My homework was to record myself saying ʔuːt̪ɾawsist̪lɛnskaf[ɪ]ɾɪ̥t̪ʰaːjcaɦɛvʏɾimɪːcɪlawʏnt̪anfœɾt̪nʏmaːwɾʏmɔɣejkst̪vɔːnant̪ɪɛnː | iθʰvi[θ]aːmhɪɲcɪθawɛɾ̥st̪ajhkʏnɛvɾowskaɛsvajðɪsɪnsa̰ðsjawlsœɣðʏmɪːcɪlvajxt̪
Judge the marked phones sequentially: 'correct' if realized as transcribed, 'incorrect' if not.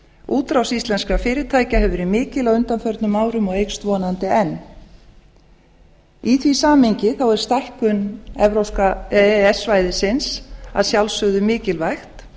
incorrect: ɪː, incorrect: s

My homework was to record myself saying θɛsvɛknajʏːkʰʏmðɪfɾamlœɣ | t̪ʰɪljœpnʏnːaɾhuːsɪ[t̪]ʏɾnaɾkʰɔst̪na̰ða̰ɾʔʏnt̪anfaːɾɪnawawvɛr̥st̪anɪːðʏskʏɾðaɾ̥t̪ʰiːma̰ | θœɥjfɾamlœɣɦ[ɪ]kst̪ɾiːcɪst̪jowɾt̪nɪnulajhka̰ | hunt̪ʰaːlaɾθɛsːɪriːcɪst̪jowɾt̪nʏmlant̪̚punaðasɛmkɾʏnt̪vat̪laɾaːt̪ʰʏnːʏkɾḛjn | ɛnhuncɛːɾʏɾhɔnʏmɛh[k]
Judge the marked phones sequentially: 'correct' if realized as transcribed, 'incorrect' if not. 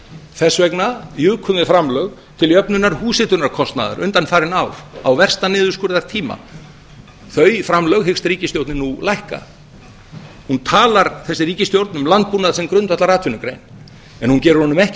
correct, correct, incorrect: c

